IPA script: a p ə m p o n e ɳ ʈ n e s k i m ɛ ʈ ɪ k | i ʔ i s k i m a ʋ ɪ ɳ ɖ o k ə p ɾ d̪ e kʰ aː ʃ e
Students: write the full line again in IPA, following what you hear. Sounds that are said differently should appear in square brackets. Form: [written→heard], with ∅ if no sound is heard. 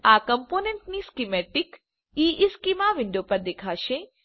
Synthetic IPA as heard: a [p→k] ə m p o n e ɳ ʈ n [e→i] s k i m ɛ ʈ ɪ k | i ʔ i s k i m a ʋ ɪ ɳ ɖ o [k→p] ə [p→∅] ɾ d̪ e kʰ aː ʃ e